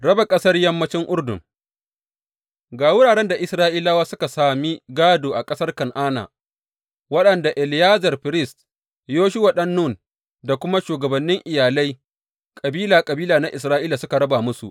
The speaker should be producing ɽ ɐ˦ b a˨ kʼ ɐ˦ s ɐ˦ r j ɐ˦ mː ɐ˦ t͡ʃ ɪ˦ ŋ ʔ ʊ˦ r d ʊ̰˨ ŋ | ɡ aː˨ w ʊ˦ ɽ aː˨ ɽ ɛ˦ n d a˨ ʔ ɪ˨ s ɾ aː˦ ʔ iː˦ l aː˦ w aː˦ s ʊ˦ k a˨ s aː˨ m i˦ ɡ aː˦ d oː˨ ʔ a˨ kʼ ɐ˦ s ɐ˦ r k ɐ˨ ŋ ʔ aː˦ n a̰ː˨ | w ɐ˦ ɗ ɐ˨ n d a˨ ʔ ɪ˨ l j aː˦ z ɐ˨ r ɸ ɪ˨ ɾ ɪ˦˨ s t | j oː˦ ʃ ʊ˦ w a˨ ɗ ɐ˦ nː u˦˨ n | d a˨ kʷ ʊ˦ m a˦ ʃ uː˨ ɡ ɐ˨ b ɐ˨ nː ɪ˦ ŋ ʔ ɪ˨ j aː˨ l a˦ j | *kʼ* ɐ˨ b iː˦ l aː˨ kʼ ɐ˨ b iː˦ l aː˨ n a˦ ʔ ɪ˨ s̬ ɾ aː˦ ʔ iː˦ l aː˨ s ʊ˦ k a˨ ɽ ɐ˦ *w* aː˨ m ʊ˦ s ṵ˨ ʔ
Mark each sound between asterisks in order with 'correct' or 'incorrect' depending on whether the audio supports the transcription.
correct, incorrect: b

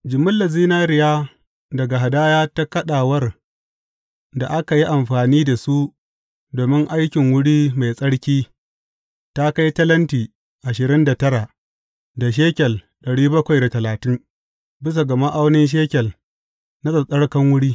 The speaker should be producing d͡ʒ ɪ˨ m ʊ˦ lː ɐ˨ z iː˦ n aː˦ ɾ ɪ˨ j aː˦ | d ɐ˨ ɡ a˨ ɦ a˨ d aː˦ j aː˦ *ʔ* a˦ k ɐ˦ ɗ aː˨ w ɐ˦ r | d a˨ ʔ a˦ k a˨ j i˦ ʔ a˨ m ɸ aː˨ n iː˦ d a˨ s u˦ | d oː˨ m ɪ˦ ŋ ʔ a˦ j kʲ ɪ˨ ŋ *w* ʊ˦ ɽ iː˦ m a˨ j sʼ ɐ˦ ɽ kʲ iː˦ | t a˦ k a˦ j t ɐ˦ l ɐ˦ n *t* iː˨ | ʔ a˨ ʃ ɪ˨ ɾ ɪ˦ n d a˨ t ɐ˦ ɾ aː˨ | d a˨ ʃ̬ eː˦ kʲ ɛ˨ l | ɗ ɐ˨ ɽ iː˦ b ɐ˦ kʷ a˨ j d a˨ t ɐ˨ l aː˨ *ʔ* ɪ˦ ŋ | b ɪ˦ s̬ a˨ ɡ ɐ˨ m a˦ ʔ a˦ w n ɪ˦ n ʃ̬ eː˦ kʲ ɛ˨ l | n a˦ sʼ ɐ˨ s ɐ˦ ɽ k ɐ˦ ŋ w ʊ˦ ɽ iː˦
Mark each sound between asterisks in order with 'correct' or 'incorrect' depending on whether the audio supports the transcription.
incorrect: t, correct, correct, incorrect: t

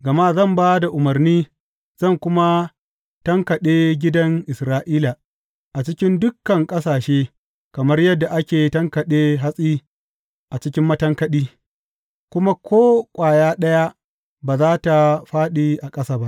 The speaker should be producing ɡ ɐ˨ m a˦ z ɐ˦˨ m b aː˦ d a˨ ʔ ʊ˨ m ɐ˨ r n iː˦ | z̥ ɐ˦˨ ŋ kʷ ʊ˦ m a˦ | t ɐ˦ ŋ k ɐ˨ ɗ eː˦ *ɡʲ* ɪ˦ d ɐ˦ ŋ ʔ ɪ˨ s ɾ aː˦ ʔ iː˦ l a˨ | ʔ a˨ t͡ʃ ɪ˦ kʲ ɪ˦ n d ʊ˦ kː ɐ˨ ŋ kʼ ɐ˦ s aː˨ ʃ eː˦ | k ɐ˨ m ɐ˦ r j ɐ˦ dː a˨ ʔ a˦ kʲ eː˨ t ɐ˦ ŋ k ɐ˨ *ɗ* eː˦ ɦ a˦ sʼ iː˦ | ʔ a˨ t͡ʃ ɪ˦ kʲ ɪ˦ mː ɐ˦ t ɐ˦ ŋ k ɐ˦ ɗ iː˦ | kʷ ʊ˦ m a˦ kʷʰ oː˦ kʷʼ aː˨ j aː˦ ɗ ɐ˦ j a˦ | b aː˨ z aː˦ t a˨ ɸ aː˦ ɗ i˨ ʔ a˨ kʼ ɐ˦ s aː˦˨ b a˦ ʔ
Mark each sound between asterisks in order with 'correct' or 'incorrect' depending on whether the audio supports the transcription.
correct, correct

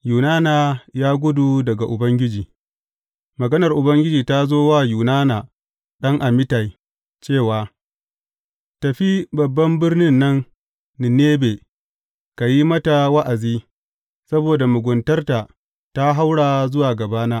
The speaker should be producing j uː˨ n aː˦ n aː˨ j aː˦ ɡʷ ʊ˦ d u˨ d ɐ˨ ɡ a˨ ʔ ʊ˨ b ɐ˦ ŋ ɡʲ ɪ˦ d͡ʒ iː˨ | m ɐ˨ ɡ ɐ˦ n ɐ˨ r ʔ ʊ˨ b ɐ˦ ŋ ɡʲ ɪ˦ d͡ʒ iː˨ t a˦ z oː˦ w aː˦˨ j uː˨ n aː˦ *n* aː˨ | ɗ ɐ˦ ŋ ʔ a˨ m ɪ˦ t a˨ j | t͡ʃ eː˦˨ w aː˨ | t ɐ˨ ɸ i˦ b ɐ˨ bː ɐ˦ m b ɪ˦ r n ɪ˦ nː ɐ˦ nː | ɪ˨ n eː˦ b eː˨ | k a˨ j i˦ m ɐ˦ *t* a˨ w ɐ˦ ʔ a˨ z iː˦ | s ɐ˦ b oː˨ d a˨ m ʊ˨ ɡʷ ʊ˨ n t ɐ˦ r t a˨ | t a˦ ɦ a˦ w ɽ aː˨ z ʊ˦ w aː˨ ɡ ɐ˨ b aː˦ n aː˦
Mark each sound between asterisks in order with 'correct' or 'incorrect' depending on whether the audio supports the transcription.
correct, correct

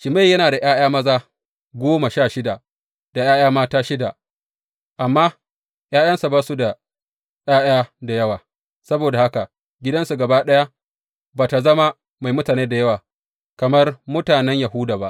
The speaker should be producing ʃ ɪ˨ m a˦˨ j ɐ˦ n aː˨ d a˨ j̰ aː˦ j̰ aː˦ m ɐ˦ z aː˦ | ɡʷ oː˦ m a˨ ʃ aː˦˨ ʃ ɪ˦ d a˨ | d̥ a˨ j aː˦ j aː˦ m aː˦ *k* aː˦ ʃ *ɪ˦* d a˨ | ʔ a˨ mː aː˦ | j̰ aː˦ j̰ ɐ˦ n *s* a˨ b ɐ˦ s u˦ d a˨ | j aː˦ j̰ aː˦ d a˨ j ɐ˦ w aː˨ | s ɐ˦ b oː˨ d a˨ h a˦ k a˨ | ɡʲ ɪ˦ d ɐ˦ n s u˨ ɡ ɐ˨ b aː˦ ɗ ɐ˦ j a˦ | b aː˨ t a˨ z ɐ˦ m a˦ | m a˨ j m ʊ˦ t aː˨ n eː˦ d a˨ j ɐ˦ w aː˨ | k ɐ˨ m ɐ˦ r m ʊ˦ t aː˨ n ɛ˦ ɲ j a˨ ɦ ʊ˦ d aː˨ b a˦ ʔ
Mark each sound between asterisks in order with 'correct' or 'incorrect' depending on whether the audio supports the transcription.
incorrect: t, correct, correct

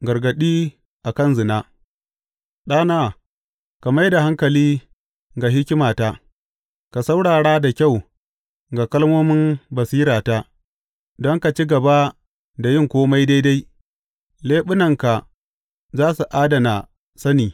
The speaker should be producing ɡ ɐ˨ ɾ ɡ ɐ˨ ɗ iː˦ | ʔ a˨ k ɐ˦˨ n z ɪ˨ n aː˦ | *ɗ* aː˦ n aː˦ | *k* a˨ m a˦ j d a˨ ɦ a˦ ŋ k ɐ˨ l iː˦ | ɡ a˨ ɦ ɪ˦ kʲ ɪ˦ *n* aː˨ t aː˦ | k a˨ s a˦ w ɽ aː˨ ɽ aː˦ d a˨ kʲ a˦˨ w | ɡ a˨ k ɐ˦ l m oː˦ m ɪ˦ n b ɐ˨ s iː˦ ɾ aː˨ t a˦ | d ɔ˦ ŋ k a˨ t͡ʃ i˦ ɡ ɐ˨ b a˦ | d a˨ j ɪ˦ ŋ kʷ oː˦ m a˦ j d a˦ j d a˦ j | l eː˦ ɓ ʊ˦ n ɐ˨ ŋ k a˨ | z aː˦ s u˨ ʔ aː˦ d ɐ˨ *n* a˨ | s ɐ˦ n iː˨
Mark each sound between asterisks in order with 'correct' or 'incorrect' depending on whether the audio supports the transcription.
correct, correct, incorrect: m, correct

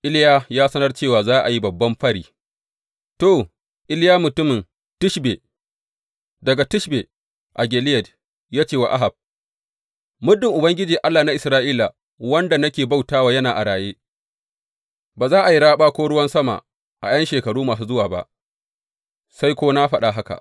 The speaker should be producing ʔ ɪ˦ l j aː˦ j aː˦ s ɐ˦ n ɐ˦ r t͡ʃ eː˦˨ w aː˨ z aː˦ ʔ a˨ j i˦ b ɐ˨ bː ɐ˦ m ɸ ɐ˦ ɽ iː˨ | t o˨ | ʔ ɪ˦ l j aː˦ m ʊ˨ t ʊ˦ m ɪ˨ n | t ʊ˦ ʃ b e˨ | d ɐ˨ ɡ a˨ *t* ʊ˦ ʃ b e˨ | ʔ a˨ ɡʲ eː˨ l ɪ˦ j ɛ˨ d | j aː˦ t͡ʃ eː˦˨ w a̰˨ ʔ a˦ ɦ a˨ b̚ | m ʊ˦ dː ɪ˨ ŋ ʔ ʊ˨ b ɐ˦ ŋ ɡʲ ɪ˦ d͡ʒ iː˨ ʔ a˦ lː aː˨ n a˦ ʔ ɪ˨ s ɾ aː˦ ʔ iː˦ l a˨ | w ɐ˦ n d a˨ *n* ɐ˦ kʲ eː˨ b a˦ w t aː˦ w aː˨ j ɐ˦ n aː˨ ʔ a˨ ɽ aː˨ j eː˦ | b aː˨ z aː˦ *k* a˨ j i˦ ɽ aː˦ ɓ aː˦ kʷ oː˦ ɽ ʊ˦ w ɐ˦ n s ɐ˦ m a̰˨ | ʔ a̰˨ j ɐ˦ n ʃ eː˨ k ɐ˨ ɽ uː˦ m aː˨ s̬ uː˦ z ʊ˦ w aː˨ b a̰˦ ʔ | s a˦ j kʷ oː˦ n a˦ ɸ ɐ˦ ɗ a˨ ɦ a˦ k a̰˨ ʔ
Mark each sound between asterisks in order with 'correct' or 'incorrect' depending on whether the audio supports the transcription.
correct, correct, incorrect: ʔ

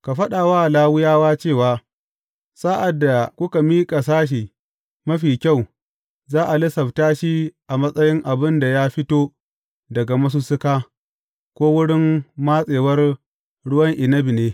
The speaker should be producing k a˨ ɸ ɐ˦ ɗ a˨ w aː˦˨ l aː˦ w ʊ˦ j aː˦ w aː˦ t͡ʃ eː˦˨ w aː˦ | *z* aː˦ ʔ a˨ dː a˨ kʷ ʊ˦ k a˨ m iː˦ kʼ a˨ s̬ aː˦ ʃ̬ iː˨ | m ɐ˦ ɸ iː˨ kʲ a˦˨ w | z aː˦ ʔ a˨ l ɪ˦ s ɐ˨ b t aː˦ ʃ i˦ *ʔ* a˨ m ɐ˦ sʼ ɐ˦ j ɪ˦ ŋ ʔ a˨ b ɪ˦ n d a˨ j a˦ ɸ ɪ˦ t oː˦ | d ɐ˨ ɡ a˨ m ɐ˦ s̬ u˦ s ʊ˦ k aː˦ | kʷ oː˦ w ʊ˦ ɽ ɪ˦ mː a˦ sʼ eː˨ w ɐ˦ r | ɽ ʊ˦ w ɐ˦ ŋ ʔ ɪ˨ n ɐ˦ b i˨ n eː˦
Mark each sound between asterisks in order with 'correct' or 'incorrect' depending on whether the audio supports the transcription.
incorrect: s, correct

